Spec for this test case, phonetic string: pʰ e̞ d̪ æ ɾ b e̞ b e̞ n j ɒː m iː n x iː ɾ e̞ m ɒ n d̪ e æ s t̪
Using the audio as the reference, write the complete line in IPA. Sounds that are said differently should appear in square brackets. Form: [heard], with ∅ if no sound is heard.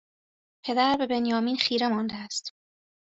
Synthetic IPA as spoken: pʰ e̞ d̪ æ ɾ b e̞ b e̞ n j ɒː m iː n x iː ɾ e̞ m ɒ n d̪ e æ s t̪

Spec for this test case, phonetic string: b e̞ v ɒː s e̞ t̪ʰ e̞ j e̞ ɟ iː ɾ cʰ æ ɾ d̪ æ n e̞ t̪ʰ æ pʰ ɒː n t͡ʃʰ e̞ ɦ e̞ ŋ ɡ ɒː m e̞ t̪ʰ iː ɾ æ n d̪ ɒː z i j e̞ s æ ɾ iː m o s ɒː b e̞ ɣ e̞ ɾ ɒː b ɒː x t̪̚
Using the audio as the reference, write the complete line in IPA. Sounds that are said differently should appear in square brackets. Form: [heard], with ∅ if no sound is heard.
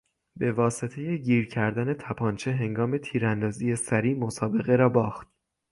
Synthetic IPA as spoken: b e̞ v ɒː s e̞ t̪ʰ e̞ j e̞ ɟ iː ɾ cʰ æ ɾ d̪ æ n e̞ t̪ʰ æ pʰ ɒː n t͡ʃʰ e̞ ɦ e̞ ŋ ɡ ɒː m e̞ t̪ʰ iː ɾ æ n d̪ ɒː z i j e̞ s æ ɾ iː m o s ɒː b e̞ ɣ e̞ ɾ ɒː b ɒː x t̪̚

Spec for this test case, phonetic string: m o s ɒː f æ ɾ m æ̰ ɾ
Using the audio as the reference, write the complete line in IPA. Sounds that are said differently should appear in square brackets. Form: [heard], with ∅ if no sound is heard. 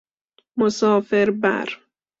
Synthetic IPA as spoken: m o s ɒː f [e] ɾ [b] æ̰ ɾ

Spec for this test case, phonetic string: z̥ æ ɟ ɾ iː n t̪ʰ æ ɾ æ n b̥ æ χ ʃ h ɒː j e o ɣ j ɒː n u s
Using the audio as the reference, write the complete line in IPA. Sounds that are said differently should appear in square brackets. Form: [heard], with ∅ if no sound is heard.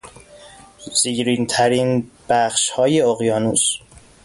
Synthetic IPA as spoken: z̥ [i] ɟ ɾ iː n t̪ʰ æ ɾ [i] n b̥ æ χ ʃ h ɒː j e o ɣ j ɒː n u s

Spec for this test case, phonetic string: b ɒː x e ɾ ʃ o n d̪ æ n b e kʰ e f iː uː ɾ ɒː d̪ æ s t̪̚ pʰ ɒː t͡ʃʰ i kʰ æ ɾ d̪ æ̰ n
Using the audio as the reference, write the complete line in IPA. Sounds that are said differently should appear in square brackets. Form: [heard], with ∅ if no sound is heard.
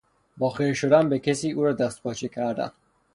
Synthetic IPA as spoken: b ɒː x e ɾ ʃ o [∅] d̪ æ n b e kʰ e [s] iː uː ɾ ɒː d̪ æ s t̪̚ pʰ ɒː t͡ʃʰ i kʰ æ ɾ d̪ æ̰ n

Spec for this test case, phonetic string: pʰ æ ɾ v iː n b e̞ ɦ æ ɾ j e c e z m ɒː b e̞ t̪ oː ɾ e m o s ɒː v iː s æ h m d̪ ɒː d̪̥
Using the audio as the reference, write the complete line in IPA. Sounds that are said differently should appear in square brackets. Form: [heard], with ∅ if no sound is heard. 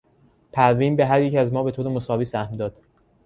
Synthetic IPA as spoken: pʰ æ ɾ v iː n b e̞ ɦ æ ɾ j e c [æ] z m ɒː b e̞ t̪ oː ɾ e m o s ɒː v iː s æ h m d̪ ɒː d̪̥

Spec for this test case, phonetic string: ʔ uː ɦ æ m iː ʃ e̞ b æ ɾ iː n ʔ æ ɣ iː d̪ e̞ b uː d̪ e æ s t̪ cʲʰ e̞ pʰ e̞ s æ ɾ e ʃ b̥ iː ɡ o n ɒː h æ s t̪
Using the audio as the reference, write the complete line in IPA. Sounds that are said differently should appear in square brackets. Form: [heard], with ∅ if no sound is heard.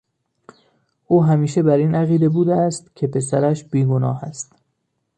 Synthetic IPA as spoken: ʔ uː ɦ æ m iː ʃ e̞ b æ ɾ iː n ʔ æ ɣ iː d̪ e̞ b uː d̪ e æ s t̪ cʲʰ e̞ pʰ e̞ s æ ɾ [æ] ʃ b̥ iː ɡ o n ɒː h æ s t̪

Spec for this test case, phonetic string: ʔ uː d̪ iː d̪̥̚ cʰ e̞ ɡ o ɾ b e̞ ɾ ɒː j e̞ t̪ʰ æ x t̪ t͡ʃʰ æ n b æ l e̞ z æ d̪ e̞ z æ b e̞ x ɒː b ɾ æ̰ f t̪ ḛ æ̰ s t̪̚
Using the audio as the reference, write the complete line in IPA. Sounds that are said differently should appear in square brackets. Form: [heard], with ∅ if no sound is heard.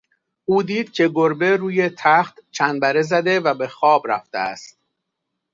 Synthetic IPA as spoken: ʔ uː d̪ iː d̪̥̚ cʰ e̞ ɡ o ɾ b e̞ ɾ [uː] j e̞ t̪ʰ æ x t̪ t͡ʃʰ æ n b æ [ɾ] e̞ z æ d̪ e̞ [v] æ b e̞ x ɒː b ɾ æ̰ f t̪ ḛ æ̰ s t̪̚

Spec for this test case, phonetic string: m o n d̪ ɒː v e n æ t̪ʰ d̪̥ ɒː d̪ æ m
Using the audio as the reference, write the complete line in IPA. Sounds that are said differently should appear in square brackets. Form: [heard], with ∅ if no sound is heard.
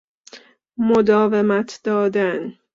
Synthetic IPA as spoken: m o [∅] d̪ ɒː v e [m] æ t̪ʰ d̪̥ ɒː d̪ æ [n]

